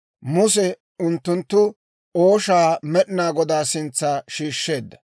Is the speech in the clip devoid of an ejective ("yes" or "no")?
yes